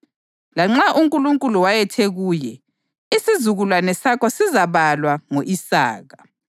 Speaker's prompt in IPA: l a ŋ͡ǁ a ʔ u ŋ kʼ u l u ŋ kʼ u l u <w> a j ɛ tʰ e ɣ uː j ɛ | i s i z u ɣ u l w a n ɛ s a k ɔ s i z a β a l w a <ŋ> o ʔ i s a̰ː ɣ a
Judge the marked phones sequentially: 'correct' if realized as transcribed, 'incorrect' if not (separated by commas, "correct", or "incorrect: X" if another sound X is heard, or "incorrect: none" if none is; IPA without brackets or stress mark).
correct, correct